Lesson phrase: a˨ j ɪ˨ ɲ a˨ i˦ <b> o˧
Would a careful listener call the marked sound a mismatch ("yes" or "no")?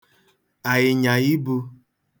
no